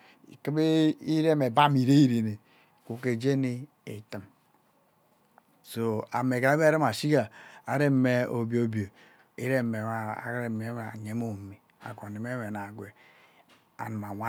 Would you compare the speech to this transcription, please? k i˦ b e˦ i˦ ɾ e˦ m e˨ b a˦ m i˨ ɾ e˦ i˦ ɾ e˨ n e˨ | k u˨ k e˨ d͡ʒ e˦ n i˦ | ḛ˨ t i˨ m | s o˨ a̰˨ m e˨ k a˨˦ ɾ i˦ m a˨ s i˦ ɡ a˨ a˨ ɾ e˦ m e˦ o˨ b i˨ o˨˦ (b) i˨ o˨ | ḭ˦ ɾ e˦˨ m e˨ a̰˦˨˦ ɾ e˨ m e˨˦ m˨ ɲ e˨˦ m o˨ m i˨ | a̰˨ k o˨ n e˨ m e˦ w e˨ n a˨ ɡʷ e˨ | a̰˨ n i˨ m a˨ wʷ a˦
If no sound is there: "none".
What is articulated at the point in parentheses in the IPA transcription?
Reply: b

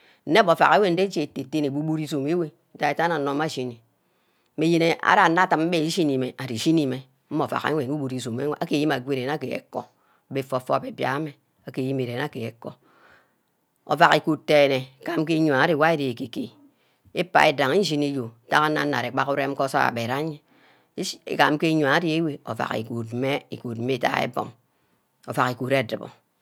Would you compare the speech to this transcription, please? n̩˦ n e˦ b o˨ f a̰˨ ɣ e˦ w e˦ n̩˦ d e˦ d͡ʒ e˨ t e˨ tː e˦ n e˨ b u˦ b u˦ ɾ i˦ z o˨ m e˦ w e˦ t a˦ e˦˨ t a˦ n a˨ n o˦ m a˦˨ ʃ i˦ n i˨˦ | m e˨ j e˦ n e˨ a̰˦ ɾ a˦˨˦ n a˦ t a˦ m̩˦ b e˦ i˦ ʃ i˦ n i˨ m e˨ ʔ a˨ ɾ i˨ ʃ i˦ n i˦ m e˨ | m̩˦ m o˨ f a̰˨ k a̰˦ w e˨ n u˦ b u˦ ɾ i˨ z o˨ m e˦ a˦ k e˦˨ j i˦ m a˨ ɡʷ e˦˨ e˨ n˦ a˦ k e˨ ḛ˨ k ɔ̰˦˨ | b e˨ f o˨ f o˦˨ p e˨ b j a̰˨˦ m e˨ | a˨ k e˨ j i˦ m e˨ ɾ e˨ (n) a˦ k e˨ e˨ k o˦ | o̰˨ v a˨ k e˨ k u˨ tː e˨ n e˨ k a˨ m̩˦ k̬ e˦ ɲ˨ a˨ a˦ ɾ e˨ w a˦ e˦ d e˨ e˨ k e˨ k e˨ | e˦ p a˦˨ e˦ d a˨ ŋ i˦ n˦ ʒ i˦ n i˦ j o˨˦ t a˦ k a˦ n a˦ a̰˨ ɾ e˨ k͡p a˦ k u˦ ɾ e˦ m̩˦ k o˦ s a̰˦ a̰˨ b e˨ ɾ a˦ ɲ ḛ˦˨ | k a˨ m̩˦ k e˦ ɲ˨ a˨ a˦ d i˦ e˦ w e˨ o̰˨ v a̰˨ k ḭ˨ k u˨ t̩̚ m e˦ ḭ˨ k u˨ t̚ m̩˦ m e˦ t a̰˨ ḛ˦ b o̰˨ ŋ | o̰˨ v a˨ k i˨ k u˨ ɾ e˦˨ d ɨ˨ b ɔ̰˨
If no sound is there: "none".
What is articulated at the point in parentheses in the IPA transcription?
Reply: n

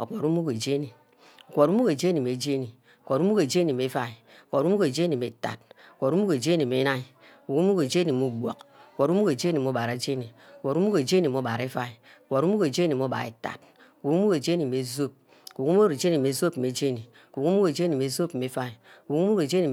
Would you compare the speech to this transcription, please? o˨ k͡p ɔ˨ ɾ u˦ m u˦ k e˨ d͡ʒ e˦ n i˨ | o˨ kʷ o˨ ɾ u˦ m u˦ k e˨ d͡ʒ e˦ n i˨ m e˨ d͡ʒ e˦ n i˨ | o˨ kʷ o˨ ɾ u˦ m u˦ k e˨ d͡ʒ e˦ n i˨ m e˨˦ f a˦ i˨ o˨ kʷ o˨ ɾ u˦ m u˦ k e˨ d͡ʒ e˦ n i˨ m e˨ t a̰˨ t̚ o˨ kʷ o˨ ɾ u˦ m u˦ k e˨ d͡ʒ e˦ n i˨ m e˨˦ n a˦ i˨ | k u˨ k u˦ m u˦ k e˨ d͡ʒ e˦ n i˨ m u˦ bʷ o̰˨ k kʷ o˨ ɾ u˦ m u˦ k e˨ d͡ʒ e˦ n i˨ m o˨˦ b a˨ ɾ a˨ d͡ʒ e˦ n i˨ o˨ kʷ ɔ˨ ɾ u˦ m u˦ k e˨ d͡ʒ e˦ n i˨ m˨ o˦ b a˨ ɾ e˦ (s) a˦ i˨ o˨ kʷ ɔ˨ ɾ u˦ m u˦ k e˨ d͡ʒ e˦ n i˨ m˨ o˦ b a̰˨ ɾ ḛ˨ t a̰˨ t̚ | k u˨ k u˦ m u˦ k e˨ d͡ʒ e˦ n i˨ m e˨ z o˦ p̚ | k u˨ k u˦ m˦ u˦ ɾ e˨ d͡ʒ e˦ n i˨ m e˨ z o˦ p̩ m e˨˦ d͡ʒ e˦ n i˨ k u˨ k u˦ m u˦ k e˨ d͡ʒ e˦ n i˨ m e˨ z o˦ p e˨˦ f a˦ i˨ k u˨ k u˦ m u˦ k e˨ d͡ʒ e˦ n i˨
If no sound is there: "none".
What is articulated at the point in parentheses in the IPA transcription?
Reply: f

